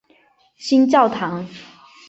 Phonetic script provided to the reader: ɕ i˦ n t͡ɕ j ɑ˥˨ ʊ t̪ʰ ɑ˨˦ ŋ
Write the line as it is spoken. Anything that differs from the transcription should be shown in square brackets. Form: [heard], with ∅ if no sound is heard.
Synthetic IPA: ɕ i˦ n t͡ɕ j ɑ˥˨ ʊ t̪ʰ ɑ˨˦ ŋ